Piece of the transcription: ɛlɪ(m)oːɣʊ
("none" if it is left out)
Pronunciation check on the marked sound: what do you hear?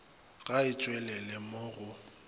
m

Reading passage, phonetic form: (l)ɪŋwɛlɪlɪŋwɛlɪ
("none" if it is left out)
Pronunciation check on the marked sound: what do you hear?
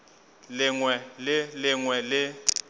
l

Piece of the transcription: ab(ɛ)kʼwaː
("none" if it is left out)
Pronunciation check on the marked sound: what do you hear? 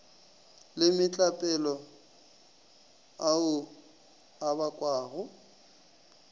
a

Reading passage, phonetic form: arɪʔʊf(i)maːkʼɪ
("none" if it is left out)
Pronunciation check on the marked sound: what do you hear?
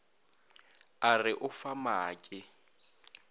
a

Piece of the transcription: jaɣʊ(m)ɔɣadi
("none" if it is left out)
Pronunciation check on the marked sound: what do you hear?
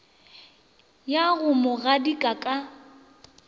m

